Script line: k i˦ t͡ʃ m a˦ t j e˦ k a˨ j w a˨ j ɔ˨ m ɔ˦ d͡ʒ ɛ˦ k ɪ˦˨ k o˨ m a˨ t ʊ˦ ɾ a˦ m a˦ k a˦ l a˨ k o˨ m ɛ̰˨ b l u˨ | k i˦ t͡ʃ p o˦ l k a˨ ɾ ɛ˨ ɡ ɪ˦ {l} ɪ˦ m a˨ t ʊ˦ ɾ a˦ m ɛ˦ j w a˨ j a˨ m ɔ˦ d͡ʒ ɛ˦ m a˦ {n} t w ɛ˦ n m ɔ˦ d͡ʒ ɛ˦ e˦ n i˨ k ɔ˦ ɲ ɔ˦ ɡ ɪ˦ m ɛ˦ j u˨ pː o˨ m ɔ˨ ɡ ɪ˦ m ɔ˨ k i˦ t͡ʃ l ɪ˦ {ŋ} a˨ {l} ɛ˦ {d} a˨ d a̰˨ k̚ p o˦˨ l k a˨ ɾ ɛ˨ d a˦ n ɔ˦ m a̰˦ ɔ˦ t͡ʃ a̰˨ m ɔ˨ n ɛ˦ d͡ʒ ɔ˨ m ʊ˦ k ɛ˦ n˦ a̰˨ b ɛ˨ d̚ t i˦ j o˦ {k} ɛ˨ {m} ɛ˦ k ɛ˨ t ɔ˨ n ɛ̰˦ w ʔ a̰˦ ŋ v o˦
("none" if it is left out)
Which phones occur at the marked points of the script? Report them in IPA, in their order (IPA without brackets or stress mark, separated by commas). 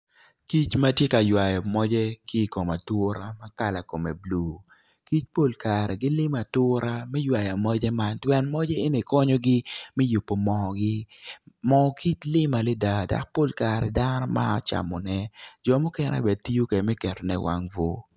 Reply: l, n, m, l, d, k, m